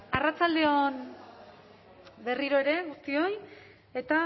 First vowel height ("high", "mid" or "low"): low